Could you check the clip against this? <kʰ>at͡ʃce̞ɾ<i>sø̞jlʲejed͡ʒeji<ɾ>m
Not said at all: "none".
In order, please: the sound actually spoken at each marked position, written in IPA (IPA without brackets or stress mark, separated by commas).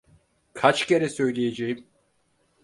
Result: kʰ, ɛ, none